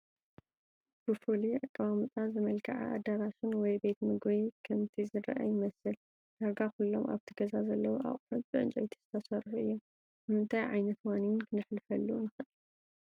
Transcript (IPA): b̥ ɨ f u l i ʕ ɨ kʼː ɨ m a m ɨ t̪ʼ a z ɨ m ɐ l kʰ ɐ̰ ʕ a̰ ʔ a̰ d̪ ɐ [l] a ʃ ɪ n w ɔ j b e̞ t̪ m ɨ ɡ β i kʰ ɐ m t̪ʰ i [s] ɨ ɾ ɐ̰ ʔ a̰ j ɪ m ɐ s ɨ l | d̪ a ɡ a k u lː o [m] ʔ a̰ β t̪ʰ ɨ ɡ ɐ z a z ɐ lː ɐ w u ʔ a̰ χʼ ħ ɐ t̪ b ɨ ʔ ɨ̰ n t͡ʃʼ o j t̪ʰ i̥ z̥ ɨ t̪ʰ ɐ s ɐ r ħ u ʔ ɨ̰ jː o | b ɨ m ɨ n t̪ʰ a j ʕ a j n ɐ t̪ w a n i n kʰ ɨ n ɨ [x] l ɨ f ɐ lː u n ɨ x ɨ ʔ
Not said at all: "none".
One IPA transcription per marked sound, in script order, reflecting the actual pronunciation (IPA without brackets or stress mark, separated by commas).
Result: ɾ, z, m, ħ